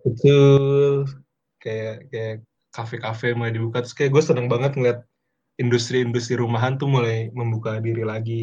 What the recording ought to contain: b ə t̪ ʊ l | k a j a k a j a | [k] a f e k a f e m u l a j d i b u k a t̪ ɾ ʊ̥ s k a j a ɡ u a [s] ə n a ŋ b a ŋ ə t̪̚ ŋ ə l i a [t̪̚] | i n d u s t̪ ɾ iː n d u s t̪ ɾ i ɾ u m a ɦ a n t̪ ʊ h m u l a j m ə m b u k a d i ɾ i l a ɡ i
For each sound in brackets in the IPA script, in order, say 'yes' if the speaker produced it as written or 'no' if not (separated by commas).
yes, yes, yes